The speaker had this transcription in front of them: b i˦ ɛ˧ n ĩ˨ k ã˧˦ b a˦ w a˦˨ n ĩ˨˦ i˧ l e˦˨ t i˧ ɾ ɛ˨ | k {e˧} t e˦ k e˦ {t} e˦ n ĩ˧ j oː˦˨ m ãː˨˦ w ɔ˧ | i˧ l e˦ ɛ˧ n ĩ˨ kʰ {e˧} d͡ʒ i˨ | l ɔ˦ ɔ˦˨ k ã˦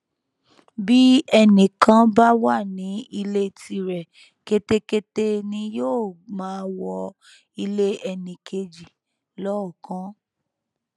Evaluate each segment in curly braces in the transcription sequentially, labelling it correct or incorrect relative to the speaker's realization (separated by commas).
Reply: correct, correct, correct